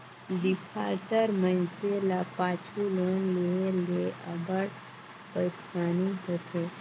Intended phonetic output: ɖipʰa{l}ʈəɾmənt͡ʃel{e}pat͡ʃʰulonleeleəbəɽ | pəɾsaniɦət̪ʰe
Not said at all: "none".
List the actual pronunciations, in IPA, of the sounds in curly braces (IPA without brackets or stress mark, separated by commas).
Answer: ɾ, a